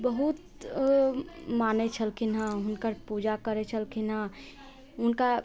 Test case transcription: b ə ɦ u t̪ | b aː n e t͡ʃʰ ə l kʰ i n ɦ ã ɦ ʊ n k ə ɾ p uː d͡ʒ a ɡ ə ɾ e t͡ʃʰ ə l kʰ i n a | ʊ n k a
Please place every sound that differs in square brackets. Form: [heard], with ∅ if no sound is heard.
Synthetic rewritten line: b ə ɦ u t̪ | [m] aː n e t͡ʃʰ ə l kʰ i n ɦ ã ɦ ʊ n k ə ɾ p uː d͡ʒ a [k] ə ɾ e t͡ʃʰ ə l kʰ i n a | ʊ n k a